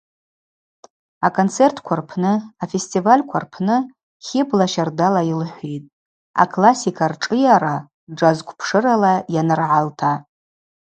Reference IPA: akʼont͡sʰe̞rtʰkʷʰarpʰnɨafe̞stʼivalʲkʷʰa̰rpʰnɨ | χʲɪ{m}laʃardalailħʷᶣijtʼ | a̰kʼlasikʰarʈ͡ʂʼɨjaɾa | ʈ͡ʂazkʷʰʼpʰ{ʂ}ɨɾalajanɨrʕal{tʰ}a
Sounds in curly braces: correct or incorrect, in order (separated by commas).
incorrect, correct, correct